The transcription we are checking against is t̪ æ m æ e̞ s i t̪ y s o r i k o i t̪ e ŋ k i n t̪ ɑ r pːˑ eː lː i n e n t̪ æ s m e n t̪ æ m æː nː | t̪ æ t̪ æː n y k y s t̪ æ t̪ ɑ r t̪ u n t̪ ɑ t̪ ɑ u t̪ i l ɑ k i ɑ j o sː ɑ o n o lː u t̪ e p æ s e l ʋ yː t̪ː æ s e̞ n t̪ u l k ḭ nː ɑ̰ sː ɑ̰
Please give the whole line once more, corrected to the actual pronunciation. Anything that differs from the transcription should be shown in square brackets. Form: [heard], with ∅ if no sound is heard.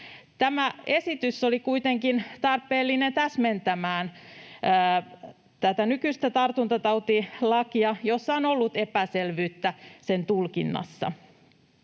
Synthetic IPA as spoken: t̪ æ m æ e̞ s i t̪ y s o [l] i k [u] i t̪ e ŋ k i n t̪ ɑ r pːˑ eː lː i n e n t̪ æ s m e n t̪ æ m æː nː | t̪ æ t̪ [æ] n y k y s t̪ æ t̪ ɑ r t̪ u n t̪ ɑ t̪ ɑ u t̪ i l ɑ k i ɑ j o sː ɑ o n o lː u t̪ e p æ s e l ʋ yː t̪ː æ s e̞ n t̪ u l k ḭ nː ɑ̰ sː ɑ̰